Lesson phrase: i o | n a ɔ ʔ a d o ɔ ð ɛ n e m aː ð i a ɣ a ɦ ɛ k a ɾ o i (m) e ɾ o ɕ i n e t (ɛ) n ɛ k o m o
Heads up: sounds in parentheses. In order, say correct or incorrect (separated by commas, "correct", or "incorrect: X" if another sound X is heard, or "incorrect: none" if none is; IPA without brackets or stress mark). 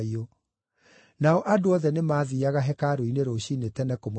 incorrect: n, correct